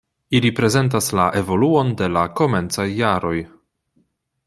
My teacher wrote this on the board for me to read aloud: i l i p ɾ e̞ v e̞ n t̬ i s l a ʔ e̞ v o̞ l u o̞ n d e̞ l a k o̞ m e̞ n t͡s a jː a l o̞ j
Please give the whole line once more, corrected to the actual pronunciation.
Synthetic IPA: i l i p ɾ e̞ z e̞ n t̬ a s l a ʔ e̞ v o̞ l u o̞ n d e̞ l a k o̞ m e̞ n t͡s a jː a ɾ o̞ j